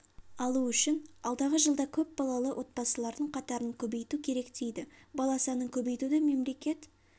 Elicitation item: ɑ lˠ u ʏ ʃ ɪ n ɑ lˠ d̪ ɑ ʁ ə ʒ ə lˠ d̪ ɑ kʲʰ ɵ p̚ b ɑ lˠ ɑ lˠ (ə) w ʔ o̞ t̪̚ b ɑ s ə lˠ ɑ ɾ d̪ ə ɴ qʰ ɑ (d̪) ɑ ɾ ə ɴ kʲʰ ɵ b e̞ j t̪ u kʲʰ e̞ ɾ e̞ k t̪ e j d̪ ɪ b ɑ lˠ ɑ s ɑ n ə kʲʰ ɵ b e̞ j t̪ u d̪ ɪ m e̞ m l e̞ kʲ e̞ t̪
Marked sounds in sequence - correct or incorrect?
correct, incorrect: t̪

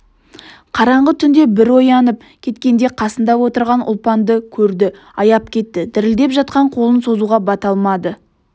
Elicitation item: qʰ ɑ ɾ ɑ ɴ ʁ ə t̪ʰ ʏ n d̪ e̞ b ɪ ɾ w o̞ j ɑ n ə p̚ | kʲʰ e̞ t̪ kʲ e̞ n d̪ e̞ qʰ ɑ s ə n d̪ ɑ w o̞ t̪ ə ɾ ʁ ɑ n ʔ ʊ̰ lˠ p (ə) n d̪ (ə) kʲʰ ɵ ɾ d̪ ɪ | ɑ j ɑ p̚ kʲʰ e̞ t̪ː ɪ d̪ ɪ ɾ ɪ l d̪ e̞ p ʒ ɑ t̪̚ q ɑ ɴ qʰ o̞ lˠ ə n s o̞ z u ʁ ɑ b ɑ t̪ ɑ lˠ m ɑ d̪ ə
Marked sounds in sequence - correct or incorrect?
incorrect: ɑ, correct

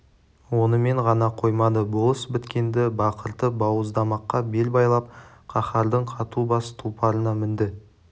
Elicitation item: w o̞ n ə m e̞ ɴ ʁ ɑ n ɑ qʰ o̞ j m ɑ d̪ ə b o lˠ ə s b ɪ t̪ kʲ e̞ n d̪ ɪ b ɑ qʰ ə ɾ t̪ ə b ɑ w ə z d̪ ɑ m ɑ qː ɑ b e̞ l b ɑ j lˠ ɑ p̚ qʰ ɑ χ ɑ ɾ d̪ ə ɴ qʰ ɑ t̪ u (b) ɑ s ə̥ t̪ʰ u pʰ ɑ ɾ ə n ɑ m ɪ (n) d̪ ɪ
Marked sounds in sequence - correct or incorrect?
correct, correct

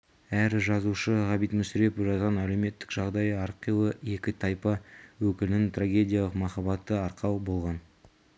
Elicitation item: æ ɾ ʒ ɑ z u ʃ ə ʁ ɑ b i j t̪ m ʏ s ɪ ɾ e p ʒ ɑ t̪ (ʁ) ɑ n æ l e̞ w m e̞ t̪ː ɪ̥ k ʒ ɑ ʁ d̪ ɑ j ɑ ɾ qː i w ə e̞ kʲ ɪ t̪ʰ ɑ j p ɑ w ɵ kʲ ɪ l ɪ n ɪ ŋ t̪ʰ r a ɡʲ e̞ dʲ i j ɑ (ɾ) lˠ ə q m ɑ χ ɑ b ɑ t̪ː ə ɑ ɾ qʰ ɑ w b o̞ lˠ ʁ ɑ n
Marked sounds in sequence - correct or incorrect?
correct, incorrect: none

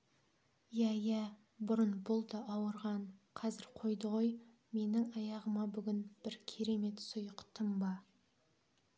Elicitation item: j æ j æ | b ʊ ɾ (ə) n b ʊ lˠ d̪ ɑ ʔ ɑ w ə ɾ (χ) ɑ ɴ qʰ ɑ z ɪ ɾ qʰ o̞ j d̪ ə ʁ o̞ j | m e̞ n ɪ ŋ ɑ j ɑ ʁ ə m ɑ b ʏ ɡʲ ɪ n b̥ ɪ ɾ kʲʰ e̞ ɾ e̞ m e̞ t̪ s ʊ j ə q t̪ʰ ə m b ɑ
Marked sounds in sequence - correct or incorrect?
correct, incorrect: ʁ

